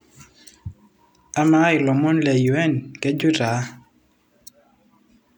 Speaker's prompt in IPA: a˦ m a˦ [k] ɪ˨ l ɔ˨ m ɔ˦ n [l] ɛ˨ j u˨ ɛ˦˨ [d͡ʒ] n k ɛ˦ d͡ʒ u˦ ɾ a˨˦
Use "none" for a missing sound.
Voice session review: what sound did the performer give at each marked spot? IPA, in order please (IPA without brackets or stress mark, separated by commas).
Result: none, l, none